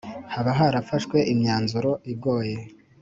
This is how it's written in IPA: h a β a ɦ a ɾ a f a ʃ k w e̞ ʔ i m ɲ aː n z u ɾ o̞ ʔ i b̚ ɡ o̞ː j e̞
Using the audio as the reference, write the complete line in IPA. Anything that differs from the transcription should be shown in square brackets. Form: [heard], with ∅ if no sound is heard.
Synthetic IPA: h a β a ɦ a ɾ a f a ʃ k w e̞ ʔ i m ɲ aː n z u ɾ o̞ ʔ i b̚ ɡ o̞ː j e̞

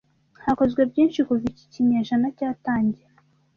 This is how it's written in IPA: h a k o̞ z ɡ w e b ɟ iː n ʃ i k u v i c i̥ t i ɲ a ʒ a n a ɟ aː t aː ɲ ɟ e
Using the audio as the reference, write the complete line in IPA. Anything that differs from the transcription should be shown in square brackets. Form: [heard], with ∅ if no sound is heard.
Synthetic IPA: h a k o̞ z ɡ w e b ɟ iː n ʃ i k u v i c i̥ [c] i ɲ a ʒ a n a [c] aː t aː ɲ ɟ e

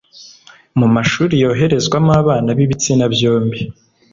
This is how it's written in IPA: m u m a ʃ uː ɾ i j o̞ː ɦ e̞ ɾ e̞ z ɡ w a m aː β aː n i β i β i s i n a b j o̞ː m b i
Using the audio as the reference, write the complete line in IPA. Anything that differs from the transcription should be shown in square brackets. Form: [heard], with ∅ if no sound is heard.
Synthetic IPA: m u m a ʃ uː ɾ i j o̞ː ɦ e̞ ɾ e̞ z ɡ w a m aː β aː n [a] β i β i [t͡s] i n a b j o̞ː m b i

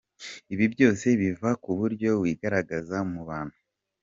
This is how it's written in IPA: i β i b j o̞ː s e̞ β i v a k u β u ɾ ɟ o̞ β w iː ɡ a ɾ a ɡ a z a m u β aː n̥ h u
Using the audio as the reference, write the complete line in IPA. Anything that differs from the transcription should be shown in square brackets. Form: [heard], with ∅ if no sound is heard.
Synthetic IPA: i β i b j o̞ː s e̞ β i v a k u β u ɾ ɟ o̞ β w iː ɡ a ɾ a ɡ a z a m u β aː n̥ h u

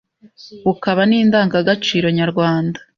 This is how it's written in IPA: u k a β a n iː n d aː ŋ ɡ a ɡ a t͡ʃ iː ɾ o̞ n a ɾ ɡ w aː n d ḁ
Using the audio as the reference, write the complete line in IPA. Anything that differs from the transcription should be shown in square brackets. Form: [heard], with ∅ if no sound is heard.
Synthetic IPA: u k a β a n iː n d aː ŋ ɡ a ɡ a t͡ʃ iː ɾ o̞ [ɲ] a ɾ ɡ w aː n d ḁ

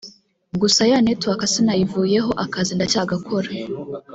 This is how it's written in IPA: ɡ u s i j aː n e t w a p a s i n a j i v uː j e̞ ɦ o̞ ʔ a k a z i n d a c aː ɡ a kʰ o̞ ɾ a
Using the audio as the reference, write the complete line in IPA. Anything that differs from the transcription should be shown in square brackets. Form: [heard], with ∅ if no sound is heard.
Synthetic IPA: ɡ u s [a] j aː n e t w a [k] a s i n a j i v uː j e̞ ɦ o̞ ʔ a k a z i n d a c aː ɡ a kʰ o̞ ɾ a

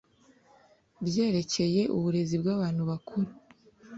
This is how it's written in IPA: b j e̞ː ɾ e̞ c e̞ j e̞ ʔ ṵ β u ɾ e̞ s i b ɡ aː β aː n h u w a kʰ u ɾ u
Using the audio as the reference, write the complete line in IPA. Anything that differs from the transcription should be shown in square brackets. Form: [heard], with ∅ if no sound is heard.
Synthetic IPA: b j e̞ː ɾ e̞ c e̞ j e̞ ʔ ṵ β u ɾ e̞ [z] i b ɡ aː β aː n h u [β] a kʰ u ɾ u

